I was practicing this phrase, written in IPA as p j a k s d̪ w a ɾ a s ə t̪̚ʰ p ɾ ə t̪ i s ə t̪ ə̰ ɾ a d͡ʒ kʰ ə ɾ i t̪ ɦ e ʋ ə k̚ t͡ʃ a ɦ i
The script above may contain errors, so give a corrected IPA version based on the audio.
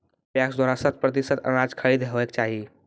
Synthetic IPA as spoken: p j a k s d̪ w a ɾ a s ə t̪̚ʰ p ɾ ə t̪ i s ə t̪ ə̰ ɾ a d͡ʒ kʰ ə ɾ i d̪ ɦ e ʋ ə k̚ t͡ʃ a ɦ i